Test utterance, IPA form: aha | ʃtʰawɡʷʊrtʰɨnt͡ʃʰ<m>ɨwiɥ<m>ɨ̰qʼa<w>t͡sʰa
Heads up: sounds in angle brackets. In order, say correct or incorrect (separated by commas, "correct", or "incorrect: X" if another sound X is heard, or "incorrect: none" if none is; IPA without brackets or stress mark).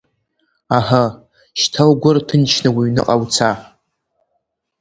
incorrect: n, incorrect: n, correct